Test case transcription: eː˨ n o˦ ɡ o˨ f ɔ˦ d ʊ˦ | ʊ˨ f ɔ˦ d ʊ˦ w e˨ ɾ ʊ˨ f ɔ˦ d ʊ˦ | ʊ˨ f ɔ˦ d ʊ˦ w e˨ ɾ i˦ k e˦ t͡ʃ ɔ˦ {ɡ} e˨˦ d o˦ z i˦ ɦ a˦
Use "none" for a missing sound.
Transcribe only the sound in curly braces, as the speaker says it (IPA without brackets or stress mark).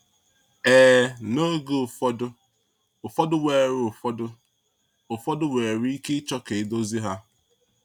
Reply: k